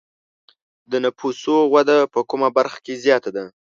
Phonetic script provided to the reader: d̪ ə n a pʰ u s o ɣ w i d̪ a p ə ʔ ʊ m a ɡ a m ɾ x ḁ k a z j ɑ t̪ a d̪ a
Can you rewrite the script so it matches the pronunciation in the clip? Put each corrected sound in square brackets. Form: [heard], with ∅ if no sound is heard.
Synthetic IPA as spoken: d̪ ə n a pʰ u s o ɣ w [a] d̪ a p ə [k] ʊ m a [b] a [∅] ɾ x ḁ k [e] z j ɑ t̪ a d̪ a